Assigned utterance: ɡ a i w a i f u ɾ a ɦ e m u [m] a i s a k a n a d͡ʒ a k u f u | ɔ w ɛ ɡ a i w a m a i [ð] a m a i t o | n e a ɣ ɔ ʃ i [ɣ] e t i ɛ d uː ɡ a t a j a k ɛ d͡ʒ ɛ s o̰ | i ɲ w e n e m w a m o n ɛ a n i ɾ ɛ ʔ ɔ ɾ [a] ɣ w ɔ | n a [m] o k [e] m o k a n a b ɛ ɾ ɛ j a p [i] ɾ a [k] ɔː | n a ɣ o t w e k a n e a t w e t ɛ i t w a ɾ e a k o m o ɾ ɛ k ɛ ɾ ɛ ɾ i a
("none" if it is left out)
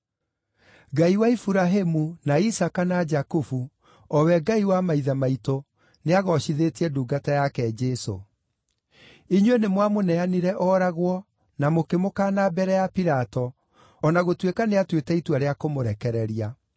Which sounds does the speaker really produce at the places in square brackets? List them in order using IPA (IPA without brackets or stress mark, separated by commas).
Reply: n, ð, ð, a, m, e, i, t